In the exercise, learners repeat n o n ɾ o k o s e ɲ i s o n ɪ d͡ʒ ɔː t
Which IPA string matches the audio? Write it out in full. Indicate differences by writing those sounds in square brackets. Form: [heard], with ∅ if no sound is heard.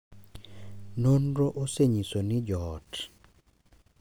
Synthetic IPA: n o n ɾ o [ʔ] o s e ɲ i s o n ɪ d͡ʒ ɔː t